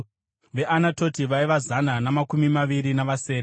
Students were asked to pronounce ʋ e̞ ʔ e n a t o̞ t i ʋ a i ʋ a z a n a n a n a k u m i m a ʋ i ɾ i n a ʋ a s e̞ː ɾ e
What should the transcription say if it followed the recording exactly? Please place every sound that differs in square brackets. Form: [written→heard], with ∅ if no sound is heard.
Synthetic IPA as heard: ʋ e̞ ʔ [e→a] n a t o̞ t i ʋ a i ʋ a z a n a n a [n→m] a k u m i m a ʋ i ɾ i n a ʋ a s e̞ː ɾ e